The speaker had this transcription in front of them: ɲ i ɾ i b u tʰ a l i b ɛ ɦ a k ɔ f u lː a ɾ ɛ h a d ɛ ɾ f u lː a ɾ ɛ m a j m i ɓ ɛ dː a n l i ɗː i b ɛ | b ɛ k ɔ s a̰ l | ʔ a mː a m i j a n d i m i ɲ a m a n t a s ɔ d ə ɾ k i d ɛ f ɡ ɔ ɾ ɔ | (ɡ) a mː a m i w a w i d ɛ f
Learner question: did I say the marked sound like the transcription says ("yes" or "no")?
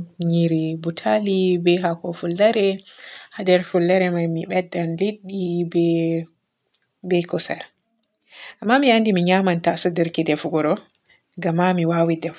yes